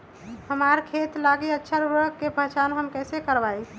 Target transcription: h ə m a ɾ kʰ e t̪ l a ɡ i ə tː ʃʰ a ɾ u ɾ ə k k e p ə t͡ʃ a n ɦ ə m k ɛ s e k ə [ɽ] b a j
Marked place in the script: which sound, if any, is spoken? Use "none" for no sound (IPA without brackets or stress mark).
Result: ɾ